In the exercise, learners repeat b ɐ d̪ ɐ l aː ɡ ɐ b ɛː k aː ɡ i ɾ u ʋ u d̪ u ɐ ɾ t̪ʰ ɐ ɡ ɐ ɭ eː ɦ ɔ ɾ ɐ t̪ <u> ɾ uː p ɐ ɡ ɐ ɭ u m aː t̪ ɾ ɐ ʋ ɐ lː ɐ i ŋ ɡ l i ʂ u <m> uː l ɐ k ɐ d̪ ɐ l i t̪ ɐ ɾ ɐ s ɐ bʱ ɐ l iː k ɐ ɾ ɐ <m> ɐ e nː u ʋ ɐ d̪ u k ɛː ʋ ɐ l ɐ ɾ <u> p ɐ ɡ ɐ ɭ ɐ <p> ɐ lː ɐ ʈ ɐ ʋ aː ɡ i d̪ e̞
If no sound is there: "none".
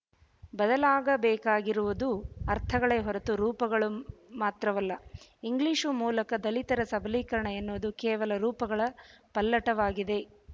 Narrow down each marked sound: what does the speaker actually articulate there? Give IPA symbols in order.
u, m, ɳ, uː, p

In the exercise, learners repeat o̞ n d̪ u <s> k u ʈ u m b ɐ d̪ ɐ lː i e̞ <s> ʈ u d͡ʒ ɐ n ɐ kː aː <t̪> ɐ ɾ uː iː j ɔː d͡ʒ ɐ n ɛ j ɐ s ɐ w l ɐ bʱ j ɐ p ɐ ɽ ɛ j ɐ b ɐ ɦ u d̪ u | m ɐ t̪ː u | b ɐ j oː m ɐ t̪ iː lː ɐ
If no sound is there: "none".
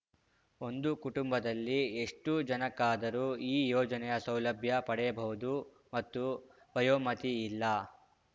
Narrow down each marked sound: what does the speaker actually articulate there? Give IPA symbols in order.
none, ʂ, d̪

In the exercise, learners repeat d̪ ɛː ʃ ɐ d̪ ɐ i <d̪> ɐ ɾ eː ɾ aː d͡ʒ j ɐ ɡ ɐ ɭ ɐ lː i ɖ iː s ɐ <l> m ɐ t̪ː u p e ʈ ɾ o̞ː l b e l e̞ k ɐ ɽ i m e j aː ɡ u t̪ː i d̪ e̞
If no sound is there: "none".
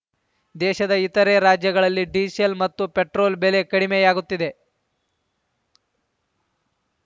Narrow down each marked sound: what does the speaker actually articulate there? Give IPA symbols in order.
t̪, l

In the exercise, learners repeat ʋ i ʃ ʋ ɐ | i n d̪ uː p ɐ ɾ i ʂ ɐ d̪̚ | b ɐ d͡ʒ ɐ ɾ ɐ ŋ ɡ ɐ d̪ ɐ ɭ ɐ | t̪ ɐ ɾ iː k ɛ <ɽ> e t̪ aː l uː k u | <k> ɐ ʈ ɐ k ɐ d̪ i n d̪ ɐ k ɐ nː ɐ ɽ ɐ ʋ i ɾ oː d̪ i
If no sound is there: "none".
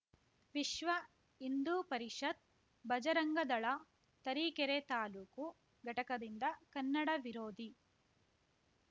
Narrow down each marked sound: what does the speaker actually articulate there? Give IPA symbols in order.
ɾ, ɡ

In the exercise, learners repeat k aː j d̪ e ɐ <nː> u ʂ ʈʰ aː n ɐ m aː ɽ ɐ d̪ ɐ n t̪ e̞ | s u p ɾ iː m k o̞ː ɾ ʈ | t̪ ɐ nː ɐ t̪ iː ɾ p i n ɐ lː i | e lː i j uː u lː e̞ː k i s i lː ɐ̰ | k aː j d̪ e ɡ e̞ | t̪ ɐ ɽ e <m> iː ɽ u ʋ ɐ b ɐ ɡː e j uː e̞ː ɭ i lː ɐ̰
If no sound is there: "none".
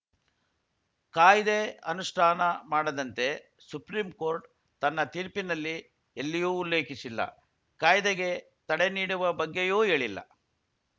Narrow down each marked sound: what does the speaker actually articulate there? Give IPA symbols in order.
n, n

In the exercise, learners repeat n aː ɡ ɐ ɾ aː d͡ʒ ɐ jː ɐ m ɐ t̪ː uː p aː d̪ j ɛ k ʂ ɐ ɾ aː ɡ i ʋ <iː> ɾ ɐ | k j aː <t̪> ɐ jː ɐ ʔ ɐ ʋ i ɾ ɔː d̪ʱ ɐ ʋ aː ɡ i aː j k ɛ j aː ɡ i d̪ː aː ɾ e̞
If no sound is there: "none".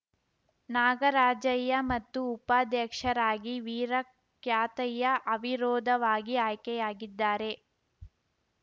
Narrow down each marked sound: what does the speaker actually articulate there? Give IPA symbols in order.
iː, t̪

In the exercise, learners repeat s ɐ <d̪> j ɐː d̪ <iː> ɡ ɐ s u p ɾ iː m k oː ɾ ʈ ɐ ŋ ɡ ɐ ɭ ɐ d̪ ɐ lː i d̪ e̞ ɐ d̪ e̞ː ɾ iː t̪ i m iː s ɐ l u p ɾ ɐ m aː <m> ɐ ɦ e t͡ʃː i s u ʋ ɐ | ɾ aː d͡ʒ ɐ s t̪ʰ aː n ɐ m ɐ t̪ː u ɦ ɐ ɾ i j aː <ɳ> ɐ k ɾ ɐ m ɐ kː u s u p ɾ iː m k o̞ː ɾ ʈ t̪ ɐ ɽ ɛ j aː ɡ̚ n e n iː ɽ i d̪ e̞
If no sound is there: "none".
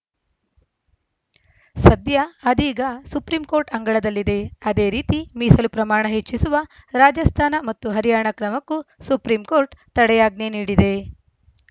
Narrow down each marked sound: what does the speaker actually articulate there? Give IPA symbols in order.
d̪, iː, ɳ, ɳ

